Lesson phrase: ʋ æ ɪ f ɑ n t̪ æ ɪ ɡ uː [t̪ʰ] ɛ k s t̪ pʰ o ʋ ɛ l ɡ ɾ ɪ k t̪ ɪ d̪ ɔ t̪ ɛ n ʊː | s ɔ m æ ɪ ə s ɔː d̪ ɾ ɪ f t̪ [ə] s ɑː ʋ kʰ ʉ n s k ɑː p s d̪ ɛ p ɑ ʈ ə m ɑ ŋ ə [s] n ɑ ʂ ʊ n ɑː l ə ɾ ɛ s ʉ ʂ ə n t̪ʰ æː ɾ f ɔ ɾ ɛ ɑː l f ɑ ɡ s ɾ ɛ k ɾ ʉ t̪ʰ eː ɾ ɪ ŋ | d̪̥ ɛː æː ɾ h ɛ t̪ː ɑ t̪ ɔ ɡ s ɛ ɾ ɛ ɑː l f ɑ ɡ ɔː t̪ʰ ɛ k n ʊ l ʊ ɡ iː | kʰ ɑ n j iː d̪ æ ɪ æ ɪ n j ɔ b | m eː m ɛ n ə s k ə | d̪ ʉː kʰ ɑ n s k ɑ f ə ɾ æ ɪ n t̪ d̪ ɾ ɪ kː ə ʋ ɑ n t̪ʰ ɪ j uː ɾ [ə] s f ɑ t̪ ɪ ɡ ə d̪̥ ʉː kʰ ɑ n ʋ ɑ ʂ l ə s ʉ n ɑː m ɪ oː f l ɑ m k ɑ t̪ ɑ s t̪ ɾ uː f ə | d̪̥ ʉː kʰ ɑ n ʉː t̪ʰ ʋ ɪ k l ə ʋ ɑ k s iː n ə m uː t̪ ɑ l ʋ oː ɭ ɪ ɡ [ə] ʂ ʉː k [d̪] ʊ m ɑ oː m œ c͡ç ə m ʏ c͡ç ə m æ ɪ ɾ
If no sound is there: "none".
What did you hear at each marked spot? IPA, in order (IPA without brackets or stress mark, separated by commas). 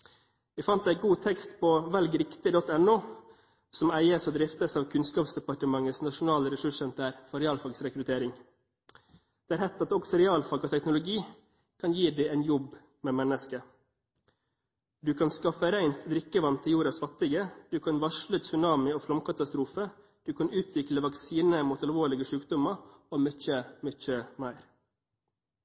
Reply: t̪ʰ, ə, s, ɑ, ə, d̪